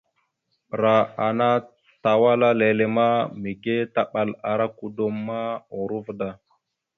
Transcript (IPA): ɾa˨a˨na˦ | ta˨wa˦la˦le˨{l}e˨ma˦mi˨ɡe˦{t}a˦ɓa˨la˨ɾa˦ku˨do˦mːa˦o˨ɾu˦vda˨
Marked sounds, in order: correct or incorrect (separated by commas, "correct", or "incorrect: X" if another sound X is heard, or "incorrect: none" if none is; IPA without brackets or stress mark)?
correct, correct